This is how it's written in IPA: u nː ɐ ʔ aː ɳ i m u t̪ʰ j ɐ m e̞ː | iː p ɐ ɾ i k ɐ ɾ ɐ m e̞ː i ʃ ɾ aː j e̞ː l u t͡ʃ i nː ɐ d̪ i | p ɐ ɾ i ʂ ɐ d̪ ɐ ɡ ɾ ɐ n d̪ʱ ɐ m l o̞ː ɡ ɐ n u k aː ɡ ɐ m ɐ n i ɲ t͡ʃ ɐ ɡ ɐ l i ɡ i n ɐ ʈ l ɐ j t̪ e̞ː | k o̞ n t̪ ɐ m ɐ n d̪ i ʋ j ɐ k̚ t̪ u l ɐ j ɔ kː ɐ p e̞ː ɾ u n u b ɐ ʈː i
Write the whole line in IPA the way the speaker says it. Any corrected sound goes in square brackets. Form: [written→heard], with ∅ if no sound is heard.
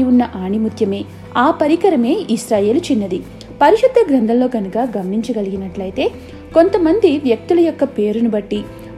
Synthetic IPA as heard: u nː ɐ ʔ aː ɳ i m u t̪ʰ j ɐ m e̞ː | [iː→aː] p ɐ ɾ i k ɐ ɾ ɐ m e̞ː i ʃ ɾ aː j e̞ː l u t͡ʃ i nː ɐ d̪ i | p ɐ ɾ i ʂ ɐ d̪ ɐ ɡ ɾ ɐ n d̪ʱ ɐ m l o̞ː ɡ ɐ n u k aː ɡ ɐ m ɐ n i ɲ t͡ʃ ɐ ɡ ɐ l i ɡ i n ɐ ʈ l ɐ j t̪ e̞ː | k o̞ n t̪ ɐ m ɐ n d̪ i ʋ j ɐ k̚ t̪ u l ɐ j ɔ kː ɐ p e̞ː ɾ u n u b ɐ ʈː i